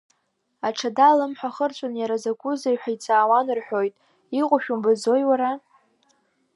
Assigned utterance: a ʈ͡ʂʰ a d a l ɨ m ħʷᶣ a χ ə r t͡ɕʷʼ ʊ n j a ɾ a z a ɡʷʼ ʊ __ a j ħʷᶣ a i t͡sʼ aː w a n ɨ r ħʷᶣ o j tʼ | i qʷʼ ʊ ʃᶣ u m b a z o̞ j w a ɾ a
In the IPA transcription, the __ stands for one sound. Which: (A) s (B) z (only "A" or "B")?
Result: B